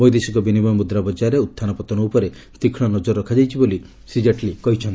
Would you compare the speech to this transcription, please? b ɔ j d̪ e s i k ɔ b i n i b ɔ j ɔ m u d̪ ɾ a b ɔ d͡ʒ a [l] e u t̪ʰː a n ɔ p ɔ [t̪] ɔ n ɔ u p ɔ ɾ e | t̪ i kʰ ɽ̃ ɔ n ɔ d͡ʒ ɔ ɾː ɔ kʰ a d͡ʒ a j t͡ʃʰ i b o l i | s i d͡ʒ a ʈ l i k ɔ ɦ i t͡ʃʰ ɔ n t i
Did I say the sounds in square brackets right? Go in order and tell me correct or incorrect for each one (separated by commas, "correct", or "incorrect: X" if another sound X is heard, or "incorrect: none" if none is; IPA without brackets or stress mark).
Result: incorrect: ɾ, correct